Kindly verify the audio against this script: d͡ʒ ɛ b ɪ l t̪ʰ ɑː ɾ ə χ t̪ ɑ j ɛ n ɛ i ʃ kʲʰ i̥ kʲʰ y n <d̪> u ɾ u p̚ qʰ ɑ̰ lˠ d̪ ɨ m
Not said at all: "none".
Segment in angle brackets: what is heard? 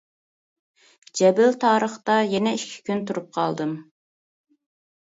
t̪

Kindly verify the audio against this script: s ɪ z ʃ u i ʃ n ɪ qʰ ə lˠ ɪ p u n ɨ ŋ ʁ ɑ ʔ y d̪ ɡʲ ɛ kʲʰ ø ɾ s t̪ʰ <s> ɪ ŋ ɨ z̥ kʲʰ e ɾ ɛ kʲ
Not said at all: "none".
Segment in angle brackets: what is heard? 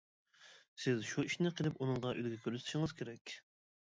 ʃ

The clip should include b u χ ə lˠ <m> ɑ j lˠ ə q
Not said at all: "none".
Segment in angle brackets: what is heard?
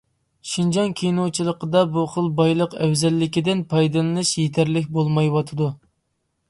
b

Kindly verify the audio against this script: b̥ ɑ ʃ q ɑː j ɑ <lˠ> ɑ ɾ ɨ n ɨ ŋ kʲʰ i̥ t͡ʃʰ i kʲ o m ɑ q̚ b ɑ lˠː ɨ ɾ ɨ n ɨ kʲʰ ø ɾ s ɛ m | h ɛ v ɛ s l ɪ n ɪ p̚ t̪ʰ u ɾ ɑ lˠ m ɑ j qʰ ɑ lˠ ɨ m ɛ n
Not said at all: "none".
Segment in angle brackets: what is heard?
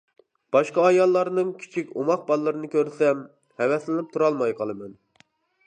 lˠː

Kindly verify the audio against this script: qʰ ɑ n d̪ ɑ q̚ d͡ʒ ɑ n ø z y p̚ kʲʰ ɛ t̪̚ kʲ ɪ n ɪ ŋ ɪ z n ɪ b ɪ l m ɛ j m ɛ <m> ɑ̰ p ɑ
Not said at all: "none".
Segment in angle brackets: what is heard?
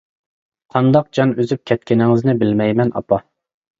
n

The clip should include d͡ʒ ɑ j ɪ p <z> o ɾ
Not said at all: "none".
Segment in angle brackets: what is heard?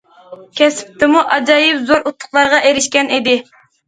z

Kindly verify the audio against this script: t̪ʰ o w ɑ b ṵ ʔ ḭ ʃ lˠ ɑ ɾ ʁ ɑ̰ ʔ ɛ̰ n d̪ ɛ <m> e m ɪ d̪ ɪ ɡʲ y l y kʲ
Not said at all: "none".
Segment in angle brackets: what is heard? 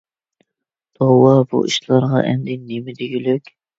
n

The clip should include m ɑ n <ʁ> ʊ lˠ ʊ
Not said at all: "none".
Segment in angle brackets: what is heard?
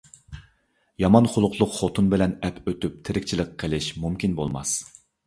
χ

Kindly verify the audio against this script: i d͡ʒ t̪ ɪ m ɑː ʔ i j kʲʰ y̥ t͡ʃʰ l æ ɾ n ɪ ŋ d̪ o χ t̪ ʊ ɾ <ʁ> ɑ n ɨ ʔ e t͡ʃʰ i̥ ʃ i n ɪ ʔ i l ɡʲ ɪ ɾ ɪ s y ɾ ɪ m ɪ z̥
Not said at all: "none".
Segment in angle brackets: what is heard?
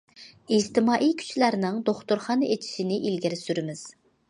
χ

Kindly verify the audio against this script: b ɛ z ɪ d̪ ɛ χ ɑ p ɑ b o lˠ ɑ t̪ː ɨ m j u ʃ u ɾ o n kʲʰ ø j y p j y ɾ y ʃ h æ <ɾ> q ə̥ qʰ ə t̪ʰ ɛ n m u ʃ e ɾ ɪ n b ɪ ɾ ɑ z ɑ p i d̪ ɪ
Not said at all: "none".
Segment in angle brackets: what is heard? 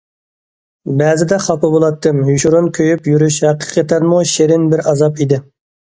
none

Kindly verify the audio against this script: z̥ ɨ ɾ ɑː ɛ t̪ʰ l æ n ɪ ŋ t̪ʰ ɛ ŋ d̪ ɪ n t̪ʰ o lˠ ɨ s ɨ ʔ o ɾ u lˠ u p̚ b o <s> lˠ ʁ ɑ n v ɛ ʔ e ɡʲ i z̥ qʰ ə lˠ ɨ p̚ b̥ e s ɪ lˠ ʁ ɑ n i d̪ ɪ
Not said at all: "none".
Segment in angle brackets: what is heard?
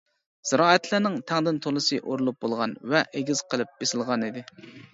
none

